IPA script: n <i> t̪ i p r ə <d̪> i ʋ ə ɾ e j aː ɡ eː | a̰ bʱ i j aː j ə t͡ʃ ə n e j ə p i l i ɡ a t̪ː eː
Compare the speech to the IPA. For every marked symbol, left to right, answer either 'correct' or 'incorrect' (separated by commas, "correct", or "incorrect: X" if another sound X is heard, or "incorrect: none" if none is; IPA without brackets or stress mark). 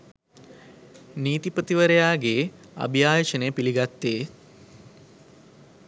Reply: incorrect: iː, incorrect: t̪